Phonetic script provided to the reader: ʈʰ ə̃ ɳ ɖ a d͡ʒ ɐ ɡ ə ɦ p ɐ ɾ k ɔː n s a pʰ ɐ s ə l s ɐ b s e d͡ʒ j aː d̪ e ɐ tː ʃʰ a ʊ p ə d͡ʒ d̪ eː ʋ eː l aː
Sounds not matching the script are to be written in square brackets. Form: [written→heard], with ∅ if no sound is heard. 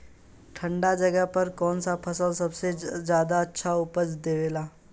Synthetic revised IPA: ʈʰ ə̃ ɳ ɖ a d͡ʒ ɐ ɡ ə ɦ p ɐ ɾ k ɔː n s a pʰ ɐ s ə l s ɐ b s e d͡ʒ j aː d̪ [e→a] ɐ tː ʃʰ a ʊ p ə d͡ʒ d̪ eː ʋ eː l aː